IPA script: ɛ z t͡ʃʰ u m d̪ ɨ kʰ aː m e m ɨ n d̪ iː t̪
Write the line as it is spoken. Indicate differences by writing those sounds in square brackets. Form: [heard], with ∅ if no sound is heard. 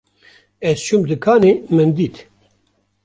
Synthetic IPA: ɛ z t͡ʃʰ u m d̪ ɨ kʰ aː [n] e m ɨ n d̪ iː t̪